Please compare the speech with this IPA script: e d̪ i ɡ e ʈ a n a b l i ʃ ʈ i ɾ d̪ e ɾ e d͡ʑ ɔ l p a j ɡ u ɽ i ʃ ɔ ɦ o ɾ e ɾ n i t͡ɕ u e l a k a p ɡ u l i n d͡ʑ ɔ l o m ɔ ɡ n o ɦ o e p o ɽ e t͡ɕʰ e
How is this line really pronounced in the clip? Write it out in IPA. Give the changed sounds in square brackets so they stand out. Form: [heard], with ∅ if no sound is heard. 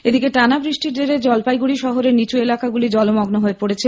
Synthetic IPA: e d̪ i [k] e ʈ a n a b [ɾ] i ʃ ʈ i ɾ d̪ e ɾ e d͡ʑ ɔ l p a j ɡ u ɽ i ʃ ɔ ɦ o ɾ e ɾ n i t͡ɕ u e l a k a [∅] ɡ u l i [∅] d͡ʑ ɔ l o m ɔ ɡ n o ɦ o e p o ɽ e t͡ɕʰ e